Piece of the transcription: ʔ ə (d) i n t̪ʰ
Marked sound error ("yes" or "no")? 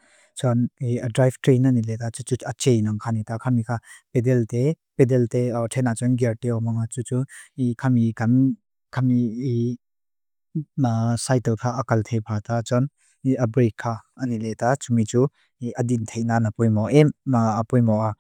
no